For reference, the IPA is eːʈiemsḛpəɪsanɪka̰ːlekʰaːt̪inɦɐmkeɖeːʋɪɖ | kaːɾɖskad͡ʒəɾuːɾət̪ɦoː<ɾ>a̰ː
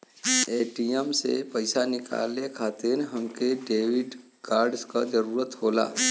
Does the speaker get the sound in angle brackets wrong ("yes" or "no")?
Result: yes